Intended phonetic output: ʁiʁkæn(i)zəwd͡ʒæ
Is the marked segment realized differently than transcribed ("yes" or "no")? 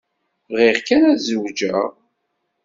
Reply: yes